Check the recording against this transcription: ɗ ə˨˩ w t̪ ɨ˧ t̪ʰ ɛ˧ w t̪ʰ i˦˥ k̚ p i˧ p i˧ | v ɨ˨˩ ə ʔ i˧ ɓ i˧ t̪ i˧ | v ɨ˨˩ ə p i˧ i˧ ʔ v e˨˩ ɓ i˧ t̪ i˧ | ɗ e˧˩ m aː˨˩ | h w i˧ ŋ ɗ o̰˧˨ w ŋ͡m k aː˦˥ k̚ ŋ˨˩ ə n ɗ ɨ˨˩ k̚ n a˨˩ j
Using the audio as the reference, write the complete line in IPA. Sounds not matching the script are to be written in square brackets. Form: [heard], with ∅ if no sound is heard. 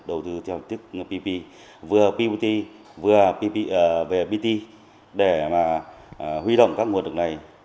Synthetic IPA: ɗ ə˨˩ w t̪ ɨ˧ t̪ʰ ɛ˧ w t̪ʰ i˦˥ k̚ p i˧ p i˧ | v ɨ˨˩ ə [p] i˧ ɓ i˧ t̪ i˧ | v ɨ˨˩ ə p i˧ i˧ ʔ v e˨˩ ɓ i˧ t̪ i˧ | ɗ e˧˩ m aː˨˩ | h w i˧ [∅] ɗ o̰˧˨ w ŋ͡m k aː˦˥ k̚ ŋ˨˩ ə n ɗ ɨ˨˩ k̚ n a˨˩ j